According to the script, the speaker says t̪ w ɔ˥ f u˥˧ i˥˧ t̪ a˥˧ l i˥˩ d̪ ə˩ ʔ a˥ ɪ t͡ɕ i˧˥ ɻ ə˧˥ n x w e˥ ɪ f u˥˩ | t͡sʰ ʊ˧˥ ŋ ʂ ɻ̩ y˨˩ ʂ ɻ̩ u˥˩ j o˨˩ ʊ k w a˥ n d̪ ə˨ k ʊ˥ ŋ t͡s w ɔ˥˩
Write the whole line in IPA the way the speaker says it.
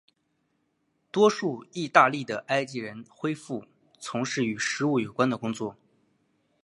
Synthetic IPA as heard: t̪ w ɔ˥ ʂ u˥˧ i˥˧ t̪ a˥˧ l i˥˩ d̪ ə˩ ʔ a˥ ɪ t͡ɕ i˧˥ ɻ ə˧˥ n x w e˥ ɪ f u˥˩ | t͡sʰ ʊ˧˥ ŋ ʂ ɻ̩ y˨˩ ʂ ɻ̩ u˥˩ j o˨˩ ʊ k w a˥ n d̪ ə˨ k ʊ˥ ŋ t͡s w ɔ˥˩